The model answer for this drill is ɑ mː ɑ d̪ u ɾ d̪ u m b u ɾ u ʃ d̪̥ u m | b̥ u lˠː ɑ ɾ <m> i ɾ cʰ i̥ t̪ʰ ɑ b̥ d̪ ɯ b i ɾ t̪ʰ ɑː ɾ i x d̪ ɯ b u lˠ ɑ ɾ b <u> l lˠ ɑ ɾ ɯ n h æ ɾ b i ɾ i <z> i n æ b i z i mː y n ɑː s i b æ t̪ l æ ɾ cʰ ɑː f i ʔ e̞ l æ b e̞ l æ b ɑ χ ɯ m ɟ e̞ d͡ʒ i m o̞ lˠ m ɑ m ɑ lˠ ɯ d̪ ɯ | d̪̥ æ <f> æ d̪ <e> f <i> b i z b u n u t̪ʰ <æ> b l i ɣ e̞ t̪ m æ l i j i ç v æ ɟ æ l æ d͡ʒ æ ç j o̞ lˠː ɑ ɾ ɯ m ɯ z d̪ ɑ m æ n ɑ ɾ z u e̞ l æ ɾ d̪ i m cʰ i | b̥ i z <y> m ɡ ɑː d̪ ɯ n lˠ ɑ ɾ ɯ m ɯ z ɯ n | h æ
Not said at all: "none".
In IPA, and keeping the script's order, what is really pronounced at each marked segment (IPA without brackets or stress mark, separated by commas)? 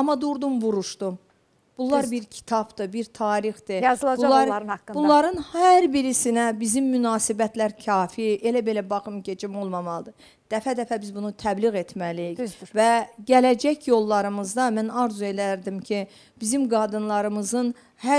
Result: b, u, s, f, æ, æ, æ, i